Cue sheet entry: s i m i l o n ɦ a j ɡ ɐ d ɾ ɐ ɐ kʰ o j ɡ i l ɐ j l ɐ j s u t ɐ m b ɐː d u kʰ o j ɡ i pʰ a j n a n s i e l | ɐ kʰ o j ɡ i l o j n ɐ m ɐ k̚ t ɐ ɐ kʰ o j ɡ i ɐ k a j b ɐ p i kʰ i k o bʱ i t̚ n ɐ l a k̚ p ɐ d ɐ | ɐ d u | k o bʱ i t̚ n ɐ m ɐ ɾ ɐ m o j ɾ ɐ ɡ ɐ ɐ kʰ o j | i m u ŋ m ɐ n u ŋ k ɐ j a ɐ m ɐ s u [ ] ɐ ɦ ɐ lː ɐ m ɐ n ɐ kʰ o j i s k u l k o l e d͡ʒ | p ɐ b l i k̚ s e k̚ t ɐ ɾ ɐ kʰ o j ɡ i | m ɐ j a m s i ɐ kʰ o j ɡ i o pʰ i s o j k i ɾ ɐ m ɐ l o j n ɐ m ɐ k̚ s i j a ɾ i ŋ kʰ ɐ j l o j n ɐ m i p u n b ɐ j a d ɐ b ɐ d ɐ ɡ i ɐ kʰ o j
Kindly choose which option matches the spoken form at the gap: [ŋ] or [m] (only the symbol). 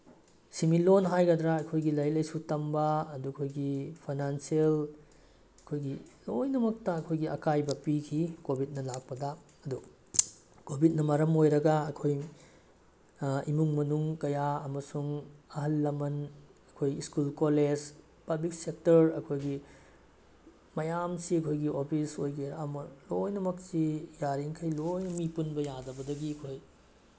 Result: ŋ